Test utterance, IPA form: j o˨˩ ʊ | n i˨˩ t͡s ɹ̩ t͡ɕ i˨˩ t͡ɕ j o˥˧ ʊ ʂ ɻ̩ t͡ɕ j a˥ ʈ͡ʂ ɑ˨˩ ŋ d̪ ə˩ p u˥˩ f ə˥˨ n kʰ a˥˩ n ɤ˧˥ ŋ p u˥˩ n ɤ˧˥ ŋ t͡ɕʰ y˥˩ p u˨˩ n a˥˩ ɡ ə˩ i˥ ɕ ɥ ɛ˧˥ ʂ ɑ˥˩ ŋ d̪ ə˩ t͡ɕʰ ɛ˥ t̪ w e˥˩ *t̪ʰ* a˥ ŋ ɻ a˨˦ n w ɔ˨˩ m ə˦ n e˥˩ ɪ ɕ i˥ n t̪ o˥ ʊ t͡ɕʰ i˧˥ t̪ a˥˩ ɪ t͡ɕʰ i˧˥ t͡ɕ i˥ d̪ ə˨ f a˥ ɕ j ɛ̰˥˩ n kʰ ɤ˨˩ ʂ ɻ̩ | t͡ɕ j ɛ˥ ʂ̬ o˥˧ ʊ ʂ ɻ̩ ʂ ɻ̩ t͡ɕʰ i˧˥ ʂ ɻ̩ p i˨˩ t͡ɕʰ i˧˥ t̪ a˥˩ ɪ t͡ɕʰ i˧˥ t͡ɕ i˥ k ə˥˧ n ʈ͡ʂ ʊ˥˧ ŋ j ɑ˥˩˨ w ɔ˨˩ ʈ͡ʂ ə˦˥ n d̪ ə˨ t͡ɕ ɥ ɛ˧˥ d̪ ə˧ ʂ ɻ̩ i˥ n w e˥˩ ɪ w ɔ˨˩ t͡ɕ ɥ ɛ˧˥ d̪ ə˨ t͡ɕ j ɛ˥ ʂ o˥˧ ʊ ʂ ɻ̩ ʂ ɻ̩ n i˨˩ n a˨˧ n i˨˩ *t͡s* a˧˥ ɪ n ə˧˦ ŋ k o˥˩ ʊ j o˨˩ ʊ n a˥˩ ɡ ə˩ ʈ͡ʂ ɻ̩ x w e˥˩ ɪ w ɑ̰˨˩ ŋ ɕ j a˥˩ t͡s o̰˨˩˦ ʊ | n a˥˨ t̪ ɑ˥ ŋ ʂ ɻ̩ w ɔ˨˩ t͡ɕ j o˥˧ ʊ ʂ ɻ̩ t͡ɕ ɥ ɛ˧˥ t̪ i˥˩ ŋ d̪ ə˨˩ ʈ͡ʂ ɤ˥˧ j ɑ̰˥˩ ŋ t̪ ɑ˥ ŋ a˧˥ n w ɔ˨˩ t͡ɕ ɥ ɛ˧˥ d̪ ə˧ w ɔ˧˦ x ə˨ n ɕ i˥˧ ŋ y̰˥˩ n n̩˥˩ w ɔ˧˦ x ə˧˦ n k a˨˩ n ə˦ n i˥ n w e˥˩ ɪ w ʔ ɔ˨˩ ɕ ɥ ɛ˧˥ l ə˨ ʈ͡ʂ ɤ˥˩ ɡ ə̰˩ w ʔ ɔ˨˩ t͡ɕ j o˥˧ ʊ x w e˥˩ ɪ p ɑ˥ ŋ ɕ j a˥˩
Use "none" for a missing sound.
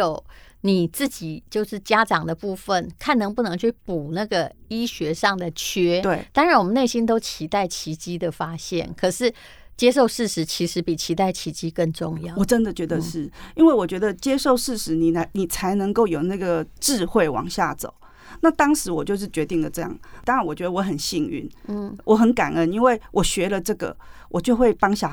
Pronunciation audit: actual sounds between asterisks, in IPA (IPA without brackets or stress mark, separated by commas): t̪, t͡sʰ